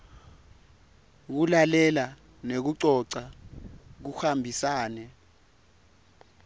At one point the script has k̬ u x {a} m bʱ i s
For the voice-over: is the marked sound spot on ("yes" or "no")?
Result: yes